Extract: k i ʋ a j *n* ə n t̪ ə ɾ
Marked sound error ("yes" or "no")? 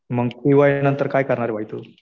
no